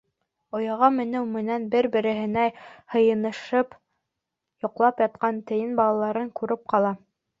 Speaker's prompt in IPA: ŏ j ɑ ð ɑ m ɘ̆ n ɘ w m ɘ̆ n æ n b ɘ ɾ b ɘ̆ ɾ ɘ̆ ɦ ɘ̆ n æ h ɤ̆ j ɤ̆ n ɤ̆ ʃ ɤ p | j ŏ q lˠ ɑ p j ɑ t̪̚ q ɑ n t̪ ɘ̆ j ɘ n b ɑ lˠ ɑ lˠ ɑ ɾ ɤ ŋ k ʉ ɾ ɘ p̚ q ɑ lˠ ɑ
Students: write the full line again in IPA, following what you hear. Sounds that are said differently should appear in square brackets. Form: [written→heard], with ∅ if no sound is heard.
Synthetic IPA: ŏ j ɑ [ð→ʁ] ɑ m ɘ̆ n ɘ w m ɘ̆ n æ n b ɘ ɾ b ɘ̆ ɾ ɘ̆ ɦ ɘ̆ n æ h ɤ̆ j ɤ̆ n ɤ̆ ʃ ɤ p | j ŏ q lˠ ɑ p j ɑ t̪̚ q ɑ n t̪ ɘ̆ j ɘ n b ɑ lˠ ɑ lˠ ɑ ɾ ɤ ŋ k ʉ ɾ ɘ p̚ q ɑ lˠ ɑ